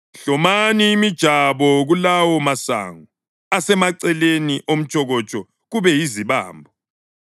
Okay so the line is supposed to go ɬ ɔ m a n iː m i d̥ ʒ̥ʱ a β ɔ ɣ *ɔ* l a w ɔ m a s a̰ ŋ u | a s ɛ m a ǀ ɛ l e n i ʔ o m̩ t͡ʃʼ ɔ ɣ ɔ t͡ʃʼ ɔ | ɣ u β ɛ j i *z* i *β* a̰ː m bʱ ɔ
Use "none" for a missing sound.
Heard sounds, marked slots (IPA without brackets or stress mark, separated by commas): u, z, β